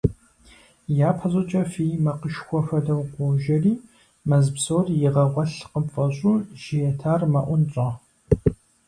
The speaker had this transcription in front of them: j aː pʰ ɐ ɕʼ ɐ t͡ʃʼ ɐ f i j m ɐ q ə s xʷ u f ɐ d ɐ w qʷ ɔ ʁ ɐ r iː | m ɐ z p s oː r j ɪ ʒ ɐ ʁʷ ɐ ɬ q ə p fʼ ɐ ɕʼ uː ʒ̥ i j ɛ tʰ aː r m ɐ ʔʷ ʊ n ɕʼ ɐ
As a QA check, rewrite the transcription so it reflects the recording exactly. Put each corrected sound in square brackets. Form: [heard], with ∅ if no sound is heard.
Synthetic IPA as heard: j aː pʰ ɐ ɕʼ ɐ t͡ʃʼ ɐ f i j m ɐ q ə [ʃ] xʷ [ɔ] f ɐ d ɐ w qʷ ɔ [ʒ] ɐ r iː | m ɐ z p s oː r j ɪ [ʁ] ɐ ʁʷ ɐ ɬ q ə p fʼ ɐ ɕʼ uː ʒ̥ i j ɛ tʰ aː r m ɐ ʔʷ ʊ n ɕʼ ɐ